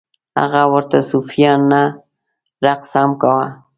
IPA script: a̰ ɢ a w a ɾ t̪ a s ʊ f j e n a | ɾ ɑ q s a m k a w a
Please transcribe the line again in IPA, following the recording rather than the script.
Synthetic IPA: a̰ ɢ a w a ɾ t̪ a s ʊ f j a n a | ɾ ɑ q s a m k a w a